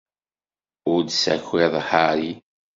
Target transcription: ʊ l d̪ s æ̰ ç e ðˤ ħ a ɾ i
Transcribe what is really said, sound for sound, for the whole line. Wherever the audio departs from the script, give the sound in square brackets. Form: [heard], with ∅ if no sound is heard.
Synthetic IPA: ʊ [ɾ] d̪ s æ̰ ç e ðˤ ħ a ɾ i